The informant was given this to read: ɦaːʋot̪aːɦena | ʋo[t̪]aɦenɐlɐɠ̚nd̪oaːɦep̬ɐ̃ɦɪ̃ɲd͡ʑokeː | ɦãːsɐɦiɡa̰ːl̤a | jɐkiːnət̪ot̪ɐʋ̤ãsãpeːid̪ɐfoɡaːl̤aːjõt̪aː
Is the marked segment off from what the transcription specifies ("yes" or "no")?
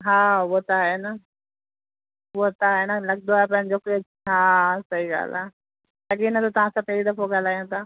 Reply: no